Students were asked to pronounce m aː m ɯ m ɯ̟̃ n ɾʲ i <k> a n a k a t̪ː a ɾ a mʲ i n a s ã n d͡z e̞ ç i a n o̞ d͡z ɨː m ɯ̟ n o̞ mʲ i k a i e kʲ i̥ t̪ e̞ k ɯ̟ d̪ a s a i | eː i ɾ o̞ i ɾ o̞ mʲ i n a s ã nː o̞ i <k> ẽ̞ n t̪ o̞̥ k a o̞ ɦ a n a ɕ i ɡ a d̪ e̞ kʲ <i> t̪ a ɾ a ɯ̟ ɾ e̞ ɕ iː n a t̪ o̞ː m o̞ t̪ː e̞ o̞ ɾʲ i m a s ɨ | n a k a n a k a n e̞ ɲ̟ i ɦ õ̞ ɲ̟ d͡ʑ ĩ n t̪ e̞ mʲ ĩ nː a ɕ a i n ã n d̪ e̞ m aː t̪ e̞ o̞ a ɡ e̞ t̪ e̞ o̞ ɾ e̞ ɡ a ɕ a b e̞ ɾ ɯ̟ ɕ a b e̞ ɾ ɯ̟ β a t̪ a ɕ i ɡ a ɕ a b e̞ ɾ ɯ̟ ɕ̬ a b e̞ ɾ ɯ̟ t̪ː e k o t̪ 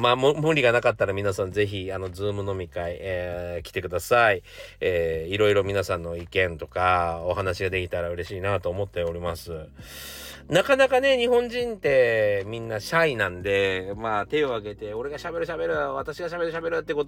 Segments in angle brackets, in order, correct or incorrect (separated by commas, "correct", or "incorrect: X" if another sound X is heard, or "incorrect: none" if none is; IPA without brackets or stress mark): incorrect: ɡ, correct, correct